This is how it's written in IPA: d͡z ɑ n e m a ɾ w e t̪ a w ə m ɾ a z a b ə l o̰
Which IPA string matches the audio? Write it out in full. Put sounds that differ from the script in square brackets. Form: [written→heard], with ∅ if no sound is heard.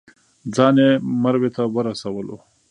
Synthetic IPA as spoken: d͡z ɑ n e m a ɾ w e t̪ a w ə [m→∅] ɾ a [z→s] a [b→w] ə l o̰